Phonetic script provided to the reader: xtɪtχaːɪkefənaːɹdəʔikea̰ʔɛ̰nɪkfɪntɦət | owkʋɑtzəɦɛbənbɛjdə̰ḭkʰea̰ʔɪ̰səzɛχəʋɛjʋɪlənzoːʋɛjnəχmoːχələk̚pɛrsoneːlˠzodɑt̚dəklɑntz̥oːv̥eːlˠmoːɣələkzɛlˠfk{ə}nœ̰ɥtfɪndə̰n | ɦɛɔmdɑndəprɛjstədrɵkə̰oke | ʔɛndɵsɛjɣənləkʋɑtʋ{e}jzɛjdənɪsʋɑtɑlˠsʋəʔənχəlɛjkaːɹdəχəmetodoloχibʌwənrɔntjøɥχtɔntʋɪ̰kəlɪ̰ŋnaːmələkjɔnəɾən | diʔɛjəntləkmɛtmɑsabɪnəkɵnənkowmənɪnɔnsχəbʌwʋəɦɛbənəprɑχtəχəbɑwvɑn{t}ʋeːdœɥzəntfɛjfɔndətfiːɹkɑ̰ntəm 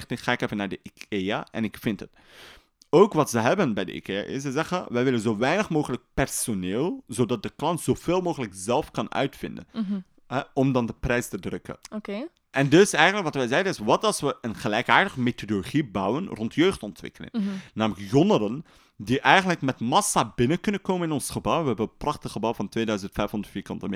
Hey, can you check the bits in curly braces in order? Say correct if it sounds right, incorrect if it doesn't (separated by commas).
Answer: incorrect, incorrect, correct